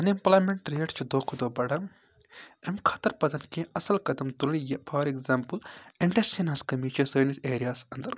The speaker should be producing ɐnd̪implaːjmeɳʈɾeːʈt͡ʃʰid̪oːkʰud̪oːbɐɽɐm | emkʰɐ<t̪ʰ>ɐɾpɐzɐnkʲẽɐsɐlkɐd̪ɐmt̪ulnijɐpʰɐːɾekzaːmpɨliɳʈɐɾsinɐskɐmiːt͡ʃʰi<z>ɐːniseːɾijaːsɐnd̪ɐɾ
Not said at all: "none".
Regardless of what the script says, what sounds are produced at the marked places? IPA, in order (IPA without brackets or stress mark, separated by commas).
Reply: t̪, s